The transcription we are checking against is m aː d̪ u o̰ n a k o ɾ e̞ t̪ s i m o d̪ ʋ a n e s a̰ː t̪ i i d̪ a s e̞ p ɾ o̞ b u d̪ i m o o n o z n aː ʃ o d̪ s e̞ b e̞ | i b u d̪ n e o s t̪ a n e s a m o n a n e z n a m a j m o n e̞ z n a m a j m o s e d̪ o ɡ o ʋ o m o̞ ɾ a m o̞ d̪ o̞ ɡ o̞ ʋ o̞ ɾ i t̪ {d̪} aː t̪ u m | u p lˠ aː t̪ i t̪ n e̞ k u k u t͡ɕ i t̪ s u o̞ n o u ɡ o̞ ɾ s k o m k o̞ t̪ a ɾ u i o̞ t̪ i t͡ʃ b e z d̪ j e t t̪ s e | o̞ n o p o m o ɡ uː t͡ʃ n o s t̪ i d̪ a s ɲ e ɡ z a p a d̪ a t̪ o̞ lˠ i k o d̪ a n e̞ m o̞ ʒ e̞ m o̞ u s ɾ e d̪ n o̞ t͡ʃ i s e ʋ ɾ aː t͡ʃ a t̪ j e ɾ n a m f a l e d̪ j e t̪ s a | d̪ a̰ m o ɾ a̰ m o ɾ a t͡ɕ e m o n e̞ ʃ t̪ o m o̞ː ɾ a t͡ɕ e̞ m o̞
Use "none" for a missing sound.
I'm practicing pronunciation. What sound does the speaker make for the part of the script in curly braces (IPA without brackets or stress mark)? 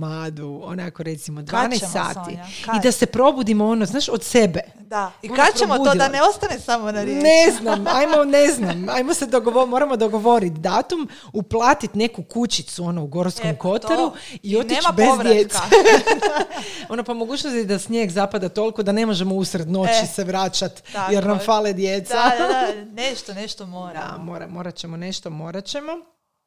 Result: d̪